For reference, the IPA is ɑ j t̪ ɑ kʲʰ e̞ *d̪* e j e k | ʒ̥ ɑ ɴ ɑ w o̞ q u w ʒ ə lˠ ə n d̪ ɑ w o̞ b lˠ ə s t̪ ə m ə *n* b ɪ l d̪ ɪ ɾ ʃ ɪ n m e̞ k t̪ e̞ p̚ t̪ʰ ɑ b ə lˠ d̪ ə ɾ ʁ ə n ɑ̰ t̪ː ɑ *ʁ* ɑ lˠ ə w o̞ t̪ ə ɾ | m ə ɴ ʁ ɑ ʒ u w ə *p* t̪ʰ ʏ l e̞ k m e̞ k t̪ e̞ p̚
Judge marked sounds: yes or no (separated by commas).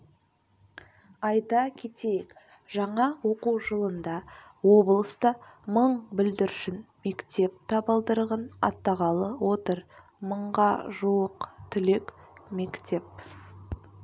no, no, yes, no